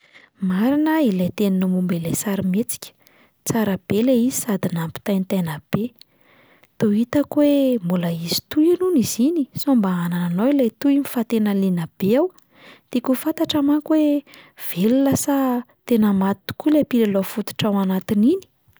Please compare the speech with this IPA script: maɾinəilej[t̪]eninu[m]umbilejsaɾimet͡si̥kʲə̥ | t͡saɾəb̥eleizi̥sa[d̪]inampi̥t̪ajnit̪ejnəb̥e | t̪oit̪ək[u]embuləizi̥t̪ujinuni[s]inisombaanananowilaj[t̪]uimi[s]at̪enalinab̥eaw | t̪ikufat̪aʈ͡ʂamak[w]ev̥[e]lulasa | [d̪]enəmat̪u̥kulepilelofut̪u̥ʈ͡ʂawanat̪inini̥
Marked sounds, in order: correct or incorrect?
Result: correct, correct, correct, incorrect, incorrect, correct, incorrect, correct, correct, incorrect

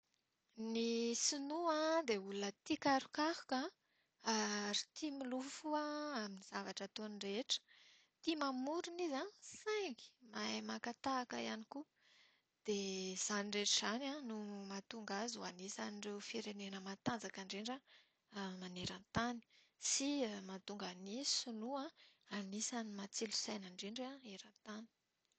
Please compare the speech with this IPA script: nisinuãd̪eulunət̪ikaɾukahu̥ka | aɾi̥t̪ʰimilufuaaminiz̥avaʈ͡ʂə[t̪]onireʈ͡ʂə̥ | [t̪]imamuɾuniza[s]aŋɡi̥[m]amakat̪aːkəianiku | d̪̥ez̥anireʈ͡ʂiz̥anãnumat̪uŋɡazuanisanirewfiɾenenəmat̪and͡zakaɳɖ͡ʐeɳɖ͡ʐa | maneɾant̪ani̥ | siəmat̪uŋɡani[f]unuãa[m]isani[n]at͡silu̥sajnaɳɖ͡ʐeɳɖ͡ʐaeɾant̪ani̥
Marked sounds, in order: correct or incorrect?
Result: correct, correct, correct, correct, incorrect, incorrect, incorrect

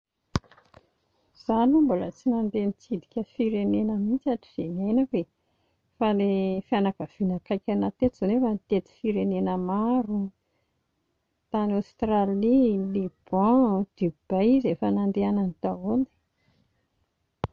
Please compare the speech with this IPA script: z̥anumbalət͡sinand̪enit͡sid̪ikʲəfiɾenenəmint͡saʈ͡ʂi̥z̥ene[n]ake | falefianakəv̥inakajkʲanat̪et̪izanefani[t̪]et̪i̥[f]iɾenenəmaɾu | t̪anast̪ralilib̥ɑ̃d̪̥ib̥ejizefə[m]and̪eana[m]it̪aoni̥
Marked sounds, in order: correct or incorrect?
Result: correct, correct, correct, incorrect, incorrect

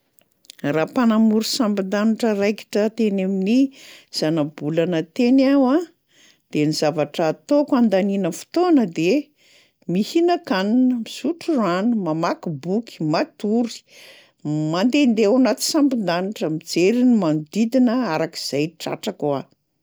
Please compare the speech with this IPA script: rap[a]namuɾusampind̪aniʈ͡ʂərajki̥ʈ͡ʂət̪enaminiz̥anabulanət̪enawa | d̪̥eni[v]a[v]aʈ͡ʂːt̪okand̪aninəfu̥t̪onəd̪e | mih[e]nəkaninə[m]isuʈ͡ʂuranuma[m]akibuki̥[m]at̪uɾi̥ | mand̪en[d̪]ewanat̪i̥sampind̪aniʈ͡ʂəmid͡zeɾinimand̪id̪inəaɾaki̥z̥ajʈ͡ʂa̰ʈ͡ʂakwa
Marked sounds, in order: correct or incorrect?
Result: correct, incorrect, correct, incorrect, correct, correct, correct, correct

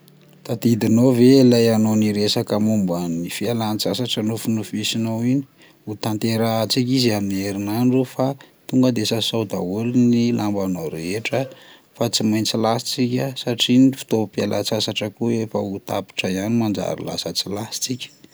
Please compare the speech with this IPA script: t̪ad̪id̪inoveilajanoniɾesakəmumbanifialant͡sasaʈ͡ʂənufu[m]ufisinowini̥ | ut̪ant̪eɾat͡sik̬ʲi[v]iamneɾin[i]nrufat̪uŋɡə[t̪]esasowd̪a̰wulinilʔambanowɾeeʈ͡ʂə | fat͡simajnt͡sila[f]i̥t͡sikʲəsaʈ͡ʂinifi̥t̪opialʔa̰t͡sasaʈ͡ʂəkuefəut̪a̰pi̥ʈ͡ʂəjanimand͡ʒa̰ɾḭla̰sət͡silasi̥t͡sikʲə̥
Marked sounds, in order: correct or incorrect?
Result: incorrect, incorrect, incorrect, incorrect, incorrect

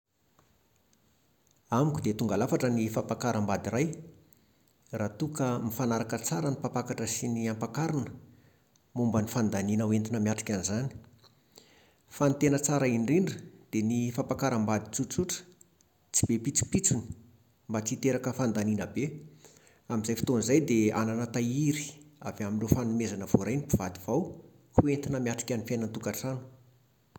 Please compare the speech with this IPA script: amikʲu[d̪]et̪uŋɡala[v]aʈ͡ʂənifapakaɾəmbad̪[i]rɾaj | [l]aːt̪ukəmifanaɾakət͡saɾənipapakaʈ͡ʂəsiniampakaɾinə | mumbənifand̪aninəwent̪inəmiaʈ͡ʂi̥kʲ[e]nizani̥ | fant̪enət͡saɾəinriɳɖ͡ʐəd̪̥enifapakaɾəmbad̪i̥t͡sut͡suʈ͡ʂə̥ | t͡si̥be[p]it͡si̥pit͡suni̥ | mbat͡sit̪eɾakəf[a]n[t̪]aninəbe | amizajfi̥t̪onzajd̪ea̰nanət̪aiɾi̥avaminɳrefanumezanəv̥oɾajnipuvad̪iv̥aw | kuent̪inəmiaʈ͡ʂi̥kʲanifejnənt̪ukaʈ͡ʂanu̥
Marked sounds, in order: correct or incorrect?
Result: correct, incorrect, correct, incorrect, incorrect, correct, correct, incorrect

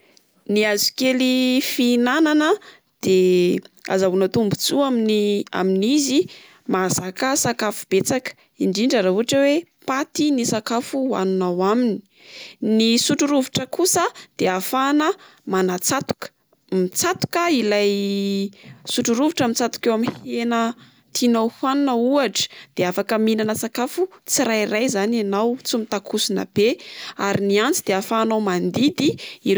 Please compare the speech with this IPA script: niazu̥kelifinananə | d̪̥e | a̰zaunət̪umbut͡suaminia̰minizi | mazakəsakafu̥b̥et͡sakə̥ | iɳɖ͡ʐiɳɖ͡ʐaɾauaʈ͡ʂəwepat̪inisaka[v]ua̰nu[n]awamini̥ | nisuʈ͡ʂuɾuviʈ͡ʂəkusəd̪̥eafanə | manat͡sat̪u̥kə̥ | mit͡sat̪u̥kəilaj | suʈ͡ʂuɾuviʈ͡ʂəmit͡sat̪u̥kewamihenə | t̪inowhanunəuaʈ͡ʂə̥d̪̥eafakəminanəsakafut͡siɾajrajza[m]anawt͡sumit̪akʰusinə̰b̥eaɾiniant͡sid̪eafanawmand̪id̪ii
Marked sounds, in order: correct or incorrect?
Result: incorrect, correct, incorrect

